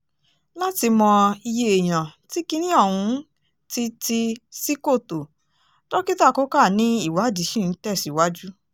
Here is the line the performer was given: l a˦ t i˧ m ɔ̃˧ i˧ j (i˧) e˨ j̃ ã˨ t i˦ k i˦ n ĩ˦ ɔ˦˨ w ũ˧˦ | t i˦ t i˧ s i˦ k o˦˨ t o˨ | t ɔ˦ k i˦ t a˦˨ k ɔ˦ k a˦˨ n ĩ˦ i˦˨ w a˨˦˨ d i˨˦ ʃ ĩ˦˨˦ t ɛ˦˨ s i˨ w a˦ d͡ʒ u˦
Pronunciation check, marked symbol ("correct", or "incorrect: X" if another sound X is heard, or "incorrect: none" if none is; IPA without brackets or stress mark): incorrect: e˧